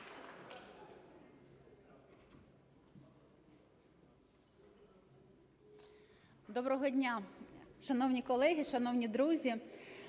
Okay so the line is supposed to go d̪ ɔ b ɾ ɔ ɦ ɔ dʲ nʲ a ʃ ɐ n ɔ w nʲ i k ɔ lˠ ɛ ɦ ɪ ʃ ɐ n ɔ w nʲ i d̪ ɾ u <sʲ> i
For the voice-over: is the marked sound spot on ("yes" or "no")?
no